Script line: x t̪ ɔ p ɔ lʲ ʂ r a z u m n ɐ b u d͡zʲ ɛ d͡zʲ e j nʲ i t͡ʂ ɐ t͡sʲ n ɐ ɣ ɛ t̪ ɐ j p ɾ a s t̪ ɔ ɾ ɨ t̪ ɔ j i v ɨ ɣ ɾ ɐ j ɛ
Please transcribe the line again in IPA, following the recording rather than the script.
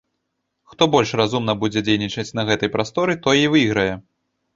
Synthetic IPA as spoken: x t̪ ɔ b ɔ lʲ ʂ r a z u m n ɐ b u d͡zʲ ɛ d͡zʲ e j nʲ i t͡ʂ ɐ t͡sʲ n ɐ ɣ ɛ t̪ ɐ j p ɾ a s t̪ ɔ ɾ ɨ t̪ ɔ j i v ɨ ɣ ɾ ɐ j ɛ